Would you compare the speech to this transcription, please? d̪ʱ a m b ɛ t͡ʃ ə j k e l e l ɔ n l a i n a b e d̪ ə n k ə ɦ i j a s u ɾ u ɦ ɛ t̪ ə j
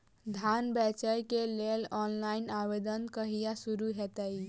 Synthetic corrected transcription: d̪ʱ a n b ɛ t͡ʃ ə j k e l e l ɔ n l a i n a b e d̪ ə n k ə ɦ i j a s u ɾ u ɦ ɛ t̪ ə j